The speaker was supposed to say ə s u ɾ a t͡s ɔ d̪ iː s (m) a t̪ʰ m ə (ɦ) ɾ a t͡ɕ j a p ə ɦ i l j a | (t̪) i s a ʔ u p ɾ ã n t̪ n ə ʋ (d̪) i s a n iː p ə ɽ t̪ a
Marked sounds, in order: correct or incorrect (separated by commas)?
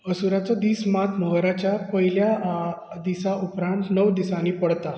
correct, correct, incorrect, correct